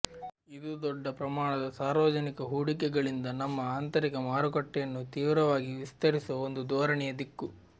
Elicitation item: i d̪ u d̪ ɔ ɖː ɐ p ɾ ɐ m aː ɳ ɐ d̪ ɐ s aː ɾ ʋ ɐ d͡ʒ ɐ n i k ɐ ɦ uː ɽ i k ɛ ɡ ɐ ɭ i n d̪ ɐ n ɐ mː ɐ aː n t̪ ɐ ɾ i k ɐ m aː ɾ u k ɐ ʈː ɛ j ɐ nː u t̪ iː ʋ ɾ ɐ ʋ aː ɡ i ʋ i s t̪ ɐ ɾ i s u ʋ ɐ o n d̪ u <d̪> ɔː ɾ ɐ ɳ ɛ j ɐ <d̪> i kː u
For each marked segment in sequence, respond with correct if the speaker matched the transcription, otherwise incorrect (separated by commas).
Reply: correct, correct